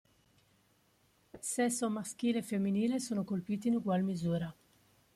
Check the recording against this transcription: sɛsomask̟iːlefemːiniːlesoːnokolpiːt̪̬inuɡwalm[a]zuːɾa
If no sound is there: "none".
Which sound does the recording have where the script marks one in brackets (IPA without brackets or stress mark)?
i